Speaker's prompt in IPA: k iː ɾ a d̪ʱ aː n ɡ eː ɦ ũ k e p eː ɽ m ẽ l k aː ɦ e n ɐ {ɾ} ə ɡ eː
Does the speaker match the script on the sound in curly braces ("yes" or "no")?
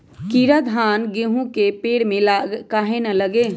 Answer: no